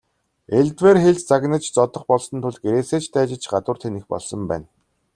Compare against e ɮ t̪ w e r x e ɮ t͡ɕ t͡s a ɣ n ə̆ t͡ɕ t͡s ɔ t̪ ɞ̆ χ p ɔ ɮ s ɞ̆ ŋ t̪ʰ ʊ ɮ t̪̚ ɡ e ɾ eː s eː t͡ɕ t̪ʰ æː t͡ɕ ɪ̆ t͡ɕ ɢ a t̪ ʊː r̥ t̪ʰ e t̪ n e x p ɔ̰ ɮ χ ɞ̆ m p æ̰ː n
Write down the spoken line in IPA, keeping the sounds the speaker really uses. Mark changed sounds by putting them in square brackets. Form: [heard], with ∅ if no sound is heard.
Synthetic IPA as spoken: e ɮ t̪ w e r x e ɮ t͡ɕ t͡s a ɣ n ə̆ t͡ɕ t͡s ɔ t̪ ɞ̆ χ p ɔ ɮ s ɞ̆ [n] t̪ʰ ʊ ɮ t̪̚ ɡ e ɾ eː s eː t͡ɕ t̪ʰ æː t͡ɕ ɪ̆ t͡ɕ ɢ a t̪ ʊː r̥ t̪ʰ e [∅] n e x p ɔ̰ ɮ [s] ɞ̆ m p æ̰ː n